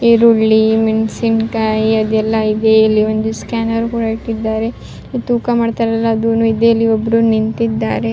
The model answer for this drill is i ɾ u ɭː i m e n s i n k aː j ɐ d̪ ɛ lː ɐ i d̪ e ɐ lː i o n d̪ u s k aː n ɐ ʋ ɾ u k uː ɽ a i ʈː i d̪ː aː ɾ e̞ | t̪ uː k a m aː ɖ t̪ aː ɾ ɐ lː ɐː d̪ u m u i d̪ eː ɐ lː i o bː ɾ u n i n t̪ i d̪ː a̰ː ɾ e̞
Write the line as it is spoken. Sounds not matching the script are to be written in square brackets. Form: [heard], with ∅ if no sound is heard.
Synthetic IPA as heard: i ɾ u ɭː i m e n s i n k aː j ɐ d̪ ɛ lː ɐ i d̪ e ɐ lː i o n d̪ u s k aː n ɐ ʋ ɾ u k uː ɽ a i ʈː i d̪ː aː ɾ e̞ | t̪ uː k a m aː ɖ t̪ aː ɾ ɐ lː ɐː d̪ u [n] u i d̪ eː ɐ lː i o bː ɾ u n i n t̪ i d̪ː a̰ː ɾ e̞

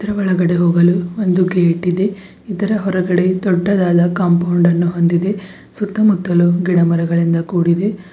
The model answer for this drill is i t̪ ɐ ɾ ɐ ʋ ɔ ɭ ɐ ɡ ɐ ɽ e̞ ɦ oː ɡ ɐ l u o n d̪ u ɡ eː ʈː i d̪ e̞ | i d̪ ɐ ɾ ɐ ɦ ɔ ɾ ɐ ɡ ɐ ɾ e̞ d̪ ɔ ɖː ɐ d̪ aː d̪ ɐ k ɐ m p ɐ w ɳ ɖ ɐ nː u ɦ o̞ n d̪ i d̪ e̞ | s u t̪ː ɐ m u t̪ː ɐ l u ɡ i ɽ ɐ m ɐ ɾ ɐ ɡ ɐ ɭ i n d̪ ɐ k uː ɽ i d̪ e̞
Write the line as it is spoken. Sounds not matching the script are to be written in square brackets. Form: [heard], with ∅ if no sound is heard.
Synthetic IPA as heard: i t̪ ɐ ɾ ɐ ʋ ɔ ɭ ɐ ɡ ɐ ɽ e̞ ɦ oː ɡ ɐ l u o n d̪ u ɡ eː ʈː i d̪ e̞ | i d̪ ɐ ɾ ɐ ɦ ɔ ɾ ɐ ɡ ɐ [ɽ] e̞ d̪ ɔ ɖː ɐ d̪ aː d̪ ɐ k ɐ m p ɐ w ɳ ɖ ɐ nː u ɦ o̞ n d̪ i d̪ e̞ | s u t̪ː ɐ m u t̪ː ɐ l u ɡ i ɽ ɐ m ɐ ɾ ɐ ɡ ɐ ɭ i n d̪ ɐ k uː ɽ i d̪ e̞

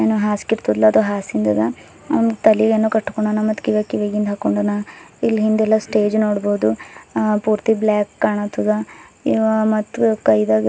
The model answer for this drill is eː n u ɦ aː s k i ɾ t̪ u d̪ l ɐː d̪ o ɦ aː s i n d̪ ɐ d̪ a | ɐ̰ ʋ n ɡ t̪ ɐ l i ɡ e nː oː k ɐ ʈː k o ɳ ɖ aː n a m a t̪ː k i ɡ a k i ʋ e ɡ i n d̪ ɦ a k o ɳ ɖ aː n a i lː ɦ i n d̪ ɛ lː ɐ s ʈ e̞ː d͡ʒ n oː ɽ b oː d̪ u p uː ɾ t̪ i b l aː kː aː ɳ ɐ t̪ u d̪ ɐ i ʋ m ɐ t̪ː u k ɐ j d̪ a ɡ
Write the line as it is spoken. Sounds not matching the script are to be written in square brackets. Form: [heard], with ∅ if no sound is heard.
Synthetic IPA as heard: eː n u ɦ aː s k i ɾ t̪ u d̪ l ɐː d̪ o ɦ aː s i n d̪ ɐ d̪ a | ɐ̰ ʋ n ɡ t̪ ɐ l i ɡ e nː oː k ɐ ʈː k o ɳ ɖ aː n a m [ɐ] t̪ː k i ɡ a k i ʋ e ɡ i n d̪ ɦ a k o ɳ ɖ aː n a i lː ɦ i n d̪ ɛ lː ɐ s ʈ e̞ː d͡ʒ n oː ɽ b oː d̪ u p uː ɾ t̪ i b l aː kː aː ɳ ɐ t̪ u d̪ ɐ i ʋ m ɐ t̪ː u k ɐ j d̪ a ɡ

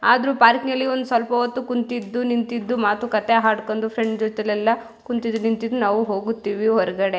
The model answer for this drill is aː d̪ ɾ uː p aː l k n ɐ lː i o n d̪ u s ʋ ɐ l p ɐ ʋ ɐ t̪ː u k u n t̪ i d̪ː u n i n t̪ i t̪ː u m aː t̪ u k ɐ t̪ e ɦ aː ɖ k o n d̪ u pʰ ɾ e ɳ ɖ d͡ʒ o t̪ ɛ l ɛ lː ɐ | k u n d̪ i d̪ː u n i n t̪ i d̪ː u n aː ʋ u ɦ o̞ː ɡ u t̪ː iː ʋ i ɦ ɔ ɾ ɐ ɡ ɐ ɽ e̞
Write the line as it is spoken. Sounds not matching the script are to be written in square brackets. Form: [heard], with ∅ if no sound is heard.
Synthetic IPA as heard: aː d̪ ɾ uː p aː [ɾ] k n ɐ lː i o n d̪ u s ʋ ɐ l p ɐ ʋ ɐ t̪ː u k u n t̪ i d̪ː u n i n t̪ i [d̪ː] u m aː t̪ u k ɐ t̪ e ɦ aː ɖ k o n d̪ u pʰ ɾ e ɳ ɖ d͡ʒ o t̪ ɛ l ɛ lː ɐ | k u n [t̪] i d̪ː u n i n t̪ i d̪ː u n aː ʋ u ɦ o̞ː ɡ u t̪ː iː ʋ i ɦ ɔ ɾ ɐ ɡ ɐ ɽ e̞

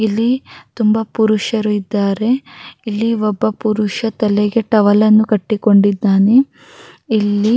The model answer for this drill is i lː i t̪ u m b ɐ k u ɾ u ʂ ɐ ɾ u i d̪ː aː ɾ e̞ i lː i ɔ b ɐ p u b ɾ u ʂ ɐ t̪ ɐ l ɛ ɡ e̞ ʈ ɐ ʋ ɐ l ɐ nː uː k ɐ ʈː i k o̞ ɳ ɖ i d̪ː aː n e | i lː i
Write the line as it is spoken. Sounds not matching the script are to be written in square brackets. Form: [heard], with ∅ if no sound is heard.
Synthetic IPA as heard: i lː i t̪ u m b ɐ [p] u ɾ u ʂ ɐ ɾ u i d̪ː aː ɾ e̞ i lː i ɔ [bː] ɐ p u [∅] ɾ u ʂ ɐ t̪ ɐ l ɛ ɡ e̞ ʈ ɐ ʋ ɐ l ɐ nː [u] k ɐ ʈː i k o̞ ɳ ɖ i d̪ː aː n e | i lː i

